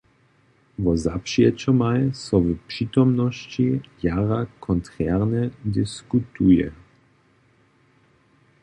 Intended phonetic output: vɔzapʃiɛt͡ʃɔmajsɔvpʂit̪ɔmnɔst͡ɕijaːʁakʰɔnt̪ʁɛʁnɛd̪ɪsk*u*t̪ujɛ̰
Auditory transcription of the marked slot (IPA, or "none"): u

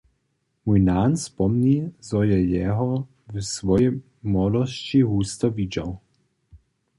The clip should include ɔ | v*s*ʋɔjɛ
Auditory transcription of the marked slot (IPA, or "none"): s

